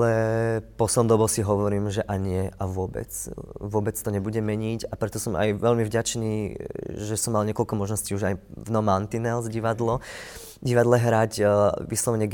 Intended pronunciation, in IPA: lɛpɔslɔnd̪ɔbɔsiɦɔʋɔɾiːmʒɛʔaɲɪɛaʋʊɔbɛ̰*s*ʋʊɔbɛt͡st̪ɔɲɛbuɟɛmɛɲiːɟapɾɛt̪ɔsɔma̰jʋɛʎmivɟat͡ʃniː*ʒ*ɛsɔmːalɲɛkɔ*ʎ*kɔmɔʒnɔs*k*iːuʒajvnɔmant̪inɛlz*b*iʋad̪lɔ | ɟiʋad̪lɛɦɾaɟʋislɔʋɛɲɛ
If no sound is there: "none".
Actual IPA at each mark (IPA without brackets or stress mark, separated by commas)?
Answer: t͡s, ʒ, l, c, ɟ